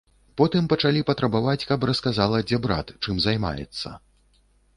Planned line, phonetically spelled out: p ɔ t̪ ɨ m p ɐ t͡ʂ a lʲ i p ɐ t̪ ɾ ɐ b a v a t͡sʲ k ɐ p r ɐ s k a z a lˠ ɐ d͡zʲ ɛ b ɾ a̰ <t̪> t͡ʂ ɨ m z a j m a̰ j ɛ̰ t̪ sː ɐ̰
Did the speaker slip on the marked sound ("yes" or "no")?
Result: no